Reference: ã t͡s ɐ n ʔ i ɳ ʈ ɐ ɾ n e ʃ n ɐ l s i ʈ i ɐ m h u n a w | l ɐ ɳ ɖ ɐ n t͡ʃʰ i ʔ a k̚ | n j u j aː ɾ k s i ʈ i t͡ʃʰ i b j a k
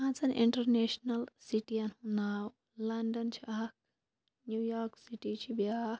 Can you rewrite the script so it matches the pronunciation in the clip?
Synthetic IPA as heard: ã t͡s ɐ n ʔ i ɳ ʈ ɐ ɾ n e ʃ n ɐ l s i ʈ i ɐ n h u n a w | l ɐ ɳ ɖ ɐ n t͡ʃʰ i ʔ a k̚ | n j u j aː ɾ k s i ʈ i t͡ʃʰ i b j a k